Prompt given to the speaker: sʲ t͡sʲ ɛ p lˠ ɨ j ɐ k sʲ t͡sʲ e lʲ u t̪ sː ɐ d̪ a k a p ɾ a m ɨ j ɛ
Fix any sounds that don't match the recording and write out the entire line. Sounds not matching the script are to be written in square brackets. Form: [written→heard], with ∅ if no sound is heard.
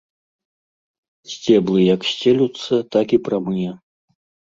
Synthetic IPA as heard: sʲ t͡sʲ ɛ [p→b] lˠ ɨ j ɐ k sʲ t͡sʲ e lʲ u t̪ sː ɐ [d̪→t̪] a k [a→i] p ɾ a m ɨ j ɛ